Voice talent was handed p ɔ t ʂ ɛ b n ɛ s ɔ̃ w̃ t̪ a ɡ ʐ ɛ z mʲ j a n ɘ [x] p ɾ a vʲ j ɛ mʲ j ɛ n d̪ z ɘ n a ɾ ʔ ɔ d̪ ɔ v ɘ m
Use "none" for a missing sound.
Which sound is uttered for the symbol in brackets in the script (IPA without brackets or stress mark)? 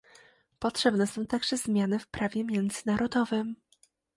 f